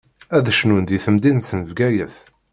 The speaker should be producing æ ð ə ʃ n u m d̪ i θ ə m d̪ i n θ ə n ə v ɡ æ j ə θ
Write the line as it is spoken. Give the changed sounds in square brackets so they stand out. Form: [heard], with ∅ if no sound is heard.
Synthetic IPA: æ ð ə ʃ n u [n] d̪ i θ ə m d̪ i n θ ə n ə v ɡ æ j ə θ